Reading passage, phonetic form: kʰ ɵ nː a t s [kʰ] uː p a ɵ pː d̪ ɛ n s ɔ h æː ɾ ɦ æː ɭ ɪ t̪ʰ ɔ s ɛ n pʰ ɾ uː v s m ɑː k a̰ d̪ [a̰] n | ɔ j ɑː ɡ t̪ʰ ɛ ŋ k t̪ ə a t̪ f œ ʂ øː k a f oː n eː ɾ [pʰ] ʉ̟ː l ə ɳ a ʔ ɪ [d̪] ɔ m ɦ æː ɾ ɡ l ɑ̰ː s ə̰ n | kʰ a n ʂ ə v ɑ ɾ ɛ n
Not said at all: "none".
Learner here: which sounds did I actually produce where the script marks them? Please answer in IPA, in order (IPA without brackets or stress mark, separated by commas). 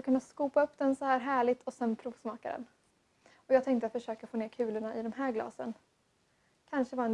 k, ɛ̰, kʰ, d̪